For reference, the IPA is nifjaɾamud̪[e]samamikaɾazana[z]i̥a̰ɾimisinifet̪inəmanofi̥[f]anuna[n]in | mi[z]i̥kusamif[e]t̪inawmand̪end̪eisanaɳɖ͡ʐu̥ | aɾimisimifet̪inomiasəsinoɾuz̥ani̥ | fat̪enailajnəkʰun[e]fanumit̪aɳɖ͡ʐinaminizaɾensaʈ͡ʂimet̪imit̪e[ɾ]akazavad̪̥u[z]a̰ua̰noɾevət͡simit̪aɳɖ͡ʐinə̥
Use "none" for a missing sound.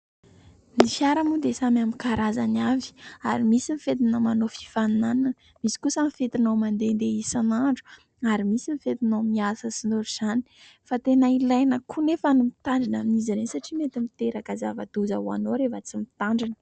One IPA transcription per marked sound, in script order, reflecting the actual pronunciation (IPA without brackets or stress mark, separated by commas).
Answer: e, v, f, n, s, e, e, ɾ, z